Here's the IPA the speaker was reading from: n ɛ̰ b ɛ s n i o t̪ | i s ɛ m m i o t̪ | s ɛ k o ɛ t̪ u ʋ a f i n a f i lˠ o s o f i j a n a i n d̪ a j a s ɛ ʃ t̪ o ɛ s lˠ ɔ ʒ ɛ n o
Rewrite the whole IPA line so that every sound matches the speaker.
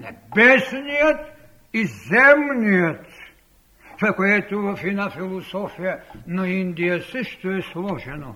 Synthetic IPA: n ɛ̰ b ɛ s n i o t̪ | i z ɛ m n i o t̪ | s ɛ k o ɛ t̪ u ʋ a f i n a f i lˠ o s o f i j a n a i n d̪ i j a s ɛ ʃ t̪ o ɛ s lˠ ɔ ʒ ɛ n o